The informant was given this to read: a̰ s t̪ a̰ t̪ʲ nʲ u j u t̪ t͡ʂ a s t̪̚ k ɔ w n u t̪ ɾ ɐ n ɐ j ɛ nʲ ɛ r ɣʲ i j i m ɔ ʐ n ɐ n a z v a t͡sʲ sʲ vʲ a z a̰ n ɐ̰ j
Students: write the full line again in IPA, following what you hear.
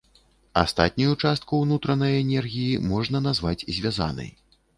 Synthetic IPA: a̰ s t̪ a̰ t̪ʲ nʲ u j u t͡ʂ a s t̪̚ k u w n u t̪ ɾ ɐ n ɐ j ɛ nʲ ɛ r ɣʲ i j i m ɔ ʐ n ɐ n a z v a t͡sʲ zʲ vʲ a z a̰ n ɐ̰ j